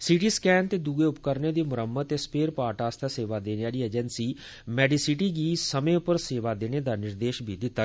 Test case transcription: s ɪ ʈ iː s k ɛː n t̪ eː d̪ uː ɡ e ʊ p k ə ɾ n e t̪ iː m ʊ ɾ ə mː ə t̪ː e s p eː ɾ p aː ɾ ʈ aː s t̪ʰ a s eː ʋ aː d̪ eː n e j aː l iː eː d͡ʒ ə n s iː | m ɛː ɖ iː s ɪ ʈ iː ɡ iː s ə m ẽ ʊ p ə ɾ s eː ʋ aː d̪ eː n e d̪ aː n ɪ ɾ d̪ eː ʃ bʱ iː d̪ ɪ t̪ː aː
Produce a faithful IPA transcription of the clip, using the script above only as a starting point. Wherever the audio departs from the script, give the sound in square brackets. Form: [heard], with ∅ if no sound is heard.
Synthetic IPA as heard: s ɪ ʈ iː s k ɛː n t̪ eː d̪ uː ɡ e ʊ p k ə ɾ n e [d̪] iː m ʊ ɾ ə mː ə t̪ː e s p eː ɾ p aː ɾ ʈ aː s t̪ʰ a s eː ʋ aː d̪ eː n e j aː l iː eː d͡ʒ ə n s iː | m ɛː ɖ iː s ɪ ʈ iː ɡ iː s ə m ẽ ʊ p ə ɾ s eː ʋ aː d̪ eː n e d̪ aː n ɪ ɾ d̪ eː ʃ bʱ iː d̪ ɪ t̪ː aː

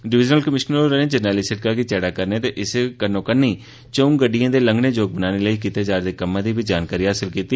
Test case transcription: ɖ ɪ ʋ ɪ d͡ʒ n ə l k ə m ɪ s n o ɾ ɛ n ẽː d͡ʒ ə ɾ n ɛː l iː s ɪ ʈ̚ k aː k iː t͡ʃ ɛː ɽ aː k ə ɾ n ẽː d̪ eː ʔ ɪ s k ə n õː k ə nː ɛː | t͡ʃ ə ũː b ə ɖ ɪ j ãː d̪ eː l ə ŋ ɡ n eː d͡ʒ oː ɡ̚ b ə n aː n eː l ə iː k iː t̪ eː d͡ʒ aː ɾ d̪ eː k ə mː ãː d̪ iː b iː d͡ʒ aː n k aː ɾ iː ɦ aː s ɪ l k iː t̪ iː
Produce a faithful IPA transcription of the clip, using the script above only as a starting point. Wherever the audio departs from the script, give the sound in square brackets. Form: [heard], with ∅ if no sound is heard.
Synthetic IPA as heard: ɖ ɪ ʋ ɪ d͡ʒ n ə l k ə m ɪ [ʃ] n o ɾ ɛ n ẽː d͡ʒ ə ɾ n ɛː l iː s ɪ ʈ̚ k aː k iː t͡ʃ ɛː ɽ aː k ə ɾ n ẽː [t̪] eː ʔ ɪ s k ə n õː k ə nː [iː] | t͡ʃ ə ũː [ɡ] ə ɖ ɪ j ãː d̪ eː l ə ŋ ɡ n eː d͡ʒ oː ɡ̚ b ə n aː n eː l ə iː k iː t̪ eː d͡ʒ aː ɾ d̪ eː k ə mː ãː d̪ iː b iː d͡ʒ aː n k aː ɾ iː ɦ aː s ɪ l k iː t̪ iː

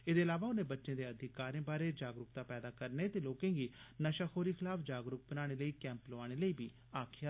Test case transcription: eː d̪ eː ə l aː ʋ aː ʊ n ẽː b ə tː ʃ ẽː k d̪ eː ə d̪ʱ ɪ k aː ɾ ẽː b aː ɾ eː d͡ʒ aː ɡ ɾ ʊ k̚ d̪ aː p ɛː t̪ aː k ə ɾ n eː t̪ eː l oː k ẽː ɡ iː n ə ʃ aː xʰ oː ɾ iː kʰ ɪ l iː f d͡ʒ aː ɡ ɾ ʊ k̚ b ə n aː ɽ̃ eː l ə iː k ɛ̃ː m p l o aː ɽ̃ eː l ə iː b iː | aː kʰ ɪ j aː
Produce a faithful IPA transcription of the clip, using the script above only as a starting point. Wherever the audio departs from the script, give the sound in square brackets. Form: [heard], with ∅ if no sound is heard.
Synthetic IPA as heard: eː d̪ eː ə l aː ʋ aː ʊ n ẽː b ə tː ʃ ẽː [∅] d̪ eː ə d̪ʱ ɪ k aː ɾ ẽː b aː ɾ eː d͡ʒ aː ɡ ɾ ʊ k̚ [t̪] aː p ɛː [d̪] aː k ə ɾ n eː t̪ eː l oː k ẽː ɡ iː n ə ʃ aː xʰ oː ɾ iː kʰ ɪ l [aː] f d͡ʒ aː ɡ ɾ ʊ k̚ b ə n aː ɽ̃ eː l ə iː k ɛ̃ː m p l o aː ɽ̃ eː l ə iː b iː | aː kʰ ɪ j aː

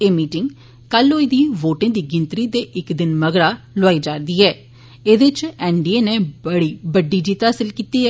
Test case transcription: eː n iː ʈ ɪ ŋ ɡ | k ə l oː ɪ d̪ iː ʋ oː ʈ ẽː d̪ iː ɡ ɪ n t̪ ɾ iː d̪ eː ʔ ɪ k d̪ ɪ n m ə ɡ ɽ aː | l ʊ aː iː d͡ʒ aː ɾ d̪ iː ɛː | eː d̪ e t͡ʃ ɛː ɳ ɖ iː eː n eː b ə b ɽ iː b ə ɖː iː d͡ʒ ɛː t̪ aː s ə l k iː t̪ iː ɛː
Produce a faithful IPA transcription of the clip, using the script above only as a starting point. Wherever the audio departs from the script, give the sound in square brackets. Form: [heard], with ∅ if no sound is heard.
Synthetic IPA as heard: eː [m] iː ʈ ɪ ŋ ɡ | k ə l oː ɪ d̪ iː ʋ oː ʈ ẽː d̪ iː ɡ ɪ n t̪ ɾ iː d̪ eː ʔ ɪ k d̪ ɪ n m ə ɡ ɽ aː | l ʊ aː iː d͡ʒ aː ɾ d̪ iː ɛː | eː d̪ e t͡ʃ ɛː ɳ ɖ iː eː n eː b ə [∅] ɽ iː b ə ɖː iː d͡ʒ [iː] t̪ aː s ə l k iː t̪ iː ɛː

